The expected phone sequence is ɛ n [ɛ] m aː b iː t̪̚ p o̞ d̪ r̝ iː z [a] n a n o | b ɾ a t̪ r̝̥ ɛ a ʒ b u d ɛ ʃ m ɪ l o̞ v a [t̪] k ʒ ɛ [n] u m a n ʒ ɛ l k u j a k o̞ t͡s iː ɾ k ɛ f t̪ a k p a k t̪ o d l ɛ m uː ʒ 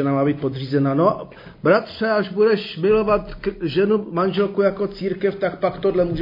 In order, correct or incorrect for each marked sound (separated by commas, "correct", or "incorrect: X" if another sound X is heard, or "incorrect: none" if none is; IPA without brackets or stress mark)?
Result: incorrect: a, incorrect: ɛ, correct, correct